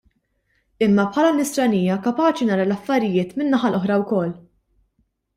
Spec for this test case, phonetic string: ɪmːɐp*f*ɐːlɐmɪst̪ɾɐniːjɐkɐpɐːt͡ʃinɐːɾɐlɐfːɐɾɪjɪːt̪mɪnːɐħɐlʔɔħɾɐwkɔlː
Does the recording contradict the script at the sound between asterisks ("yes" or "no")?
yes